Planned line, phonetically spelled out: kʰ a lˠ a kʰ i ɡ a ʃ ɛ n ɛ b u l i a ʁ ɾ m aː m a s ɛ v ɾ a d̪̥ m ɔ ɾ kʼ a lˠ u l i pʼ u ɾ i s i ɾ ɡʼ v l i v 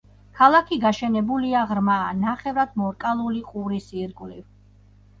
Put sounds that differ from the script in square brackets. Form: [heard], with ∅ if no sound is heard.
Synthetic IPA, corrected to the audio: kʰ a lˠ a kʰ i ɡ a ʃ ɛ n ɛ b u l i a ʁ ɾ m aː [n] a [χ] ɛ v ɾ a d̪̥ m ɔ ɾ kʼ a lˠ u l i [qʼ] u ɾ i s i ɾ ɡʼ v l i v